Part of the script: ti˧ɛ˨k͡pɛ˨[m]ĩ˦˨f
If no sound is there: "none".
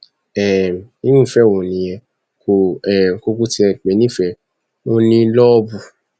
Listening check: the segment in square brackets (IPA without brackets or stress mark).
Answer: n